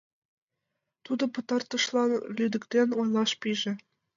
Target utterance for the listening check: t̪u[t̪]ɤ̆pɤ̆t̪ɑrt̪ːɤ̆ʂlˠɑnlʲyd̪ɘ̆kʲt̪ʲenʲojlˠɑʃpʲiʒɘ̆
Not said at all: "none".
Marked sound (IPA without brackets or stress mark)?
d̪